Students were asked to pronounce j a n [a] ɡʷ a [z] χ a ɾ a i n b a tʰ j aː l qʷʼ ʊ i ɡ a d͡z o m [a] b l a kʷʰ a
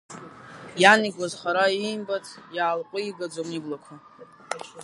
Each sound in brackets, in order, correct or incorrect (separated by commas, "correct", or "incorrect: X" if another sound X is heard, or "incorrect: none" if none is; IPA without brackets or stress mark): incorrect: i, correct, incorrect: i